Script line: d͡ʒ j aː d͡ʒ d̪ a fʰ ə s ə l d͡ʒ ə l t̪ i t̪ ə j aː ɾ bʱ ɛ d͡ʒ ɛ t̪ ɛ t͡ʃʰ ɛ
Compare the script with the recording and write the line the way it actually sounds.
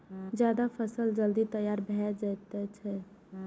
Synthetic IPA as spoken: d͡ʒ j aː d̪ a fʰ ə s ə l d͡ʒ ə l d̪ i t̪ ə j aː ɾ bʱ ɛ d͡ʒ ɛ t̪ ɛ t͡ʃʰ ɛ